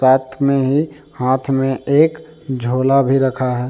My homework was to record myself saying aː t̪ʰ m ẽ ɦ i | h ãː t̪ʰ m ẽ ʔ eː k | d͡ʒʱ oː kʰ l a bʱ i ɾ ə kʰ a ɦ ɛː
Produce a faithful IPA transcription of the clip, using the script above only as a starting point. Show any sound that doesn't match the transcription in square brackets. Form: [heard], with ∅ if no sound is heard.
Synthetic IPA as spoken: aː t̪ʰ m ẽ ɦ i | h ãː t̪ʰ m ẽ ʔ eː k | d͡ʒʱ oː [∅] l a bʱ i ɾ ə kʰ a ɦ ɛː